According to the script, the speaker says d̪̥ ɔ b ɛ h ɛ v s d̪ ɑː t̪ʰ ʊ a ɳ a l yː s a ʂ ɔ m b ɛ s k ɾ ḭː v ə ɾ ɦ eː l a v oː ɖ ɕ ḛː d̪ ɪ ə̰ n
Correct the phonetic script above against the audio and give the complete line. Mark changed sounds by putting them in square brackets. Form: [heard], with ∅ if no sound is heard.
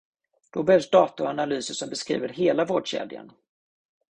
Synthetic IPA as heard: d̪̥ ɔ b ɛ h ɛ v s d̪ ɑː [t̪] ʊ a [n] a l yː s [ə] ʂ ɔ m b ɛ s k ɾ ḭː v ə ɾ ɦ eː l a v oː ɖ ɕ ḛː d̪ ɪ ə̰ n